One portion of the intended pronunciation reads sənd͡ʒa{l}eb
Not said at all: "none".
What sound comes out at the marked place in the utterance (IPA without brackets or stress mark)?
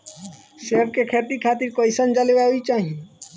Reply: l